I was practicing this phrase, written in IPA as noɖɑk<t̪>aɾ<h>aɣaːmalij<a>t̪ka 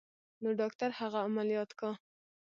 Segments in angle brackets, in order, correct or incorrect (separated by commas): correct, correct, incorrect